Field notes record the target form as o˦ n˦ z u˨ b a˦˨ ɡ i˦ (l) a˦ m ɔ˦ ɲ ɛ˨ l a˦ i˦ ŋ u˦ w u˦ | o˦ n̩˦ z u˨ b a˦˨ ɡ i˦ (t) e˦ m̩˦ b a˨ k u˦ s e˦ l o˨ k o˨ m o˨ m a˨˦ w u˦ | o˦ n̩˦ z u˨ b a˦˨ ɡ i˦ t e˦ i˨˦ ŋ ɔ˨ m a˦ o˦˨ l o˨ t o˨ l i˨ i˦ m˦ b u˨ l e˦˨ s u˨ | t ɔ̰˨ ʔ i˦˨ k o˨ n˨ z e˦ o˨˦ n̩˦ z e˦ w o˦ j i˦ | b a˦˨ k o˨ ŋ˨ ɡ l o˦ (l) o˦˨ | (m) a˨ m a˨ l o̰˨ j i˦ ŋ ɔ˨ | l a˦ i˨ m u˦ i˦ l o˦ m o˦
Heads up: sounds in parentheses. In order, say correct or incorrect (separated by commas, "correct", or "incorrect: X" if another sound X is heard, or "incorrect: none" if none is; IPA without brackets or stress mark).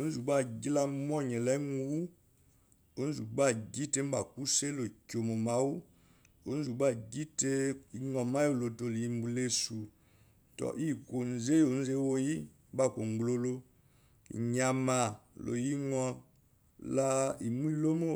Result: correct, correct, correct, incorrect: ɲ